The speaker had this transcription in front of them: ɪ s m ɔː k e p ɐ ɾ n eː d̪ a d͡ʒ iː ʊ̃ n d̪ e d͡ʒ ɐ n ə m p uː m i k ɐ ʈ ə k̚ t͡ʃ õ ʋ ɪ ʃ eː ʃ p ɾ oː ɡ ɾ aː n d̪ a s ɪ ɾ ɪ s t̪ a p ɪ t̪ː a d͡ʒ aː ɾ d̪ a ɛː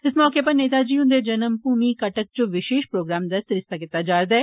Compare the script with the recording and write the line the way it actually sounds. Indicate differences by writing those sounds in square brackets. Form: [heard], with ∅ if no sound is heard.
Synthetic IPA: ɪ s m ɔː k e p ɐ ɾ n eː [t̪] a d͡ʒ iː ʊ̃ n d̪ e d͡ʒ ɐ n ə m p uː m i k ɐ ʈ ə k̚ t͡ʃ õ ʋ ɪ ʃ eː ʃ p ɾ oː ɡ ɾ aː [m] d̪ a s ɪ ɾ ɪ s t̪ a [k] ɪ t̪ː a d͡ʒ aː ɾ d̪ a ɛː